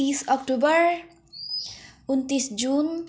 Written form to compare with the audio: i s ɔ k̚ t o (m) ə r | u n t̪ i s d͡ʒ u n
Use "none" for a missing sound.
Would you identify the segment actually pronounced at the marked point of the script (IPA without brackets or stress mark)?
b